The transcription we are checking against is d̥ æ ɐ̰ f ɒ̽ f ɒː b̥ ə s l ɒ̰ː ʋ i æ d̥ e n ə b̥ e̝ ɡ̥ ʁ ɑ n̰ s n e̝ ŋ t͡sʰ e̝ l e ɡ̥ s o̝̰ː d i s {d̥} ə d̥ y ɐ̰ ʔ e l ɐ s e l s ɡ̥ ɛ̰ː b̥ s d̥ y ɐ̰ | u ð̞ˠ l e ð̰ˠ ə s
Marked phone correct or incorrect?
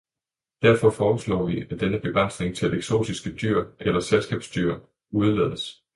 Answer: incorrect